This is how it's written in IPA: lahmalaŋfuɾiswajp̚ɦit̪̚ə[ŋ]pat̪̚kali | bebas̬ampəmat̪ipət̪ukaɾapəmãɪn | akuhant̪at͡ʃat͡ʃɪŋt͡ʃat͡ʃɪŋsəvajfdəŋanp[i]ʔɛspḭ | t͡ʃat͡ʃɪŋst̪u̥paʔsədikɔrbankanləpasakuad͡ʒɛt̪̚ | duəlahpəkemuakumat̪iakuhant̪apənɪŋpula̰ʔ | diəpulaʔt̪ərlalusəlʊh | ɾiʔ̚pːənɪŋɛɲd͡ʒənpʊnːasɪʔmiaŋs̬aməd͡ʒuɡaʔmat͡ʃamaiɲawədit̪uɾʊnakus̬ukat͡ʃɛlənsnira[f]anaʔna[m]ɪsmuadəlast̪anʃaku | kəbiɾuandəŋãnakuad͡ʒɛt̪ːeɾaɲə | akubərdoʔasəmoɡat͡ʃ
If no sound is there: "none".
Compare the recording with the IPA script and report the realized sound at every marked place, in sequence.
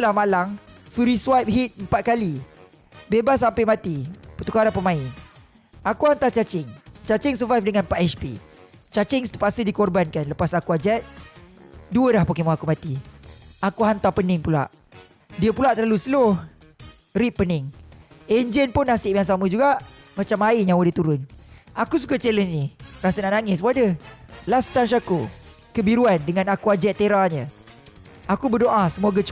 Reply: m, a, s, ŋ

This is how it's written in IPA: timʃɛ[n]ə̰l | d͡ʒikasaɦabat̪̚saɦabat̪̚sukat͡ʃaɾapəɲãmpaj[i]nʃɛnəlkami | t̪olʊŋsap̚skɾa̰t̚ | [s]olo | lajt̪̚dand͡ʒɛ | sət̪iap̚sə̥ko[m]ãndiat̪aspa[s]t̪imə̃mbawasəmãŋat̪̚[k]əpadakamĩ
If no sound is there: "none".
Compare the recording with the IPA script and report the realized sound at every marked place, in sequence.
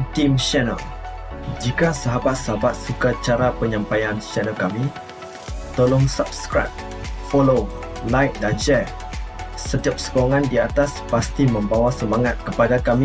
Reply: n, a, f, ŋ, s, k

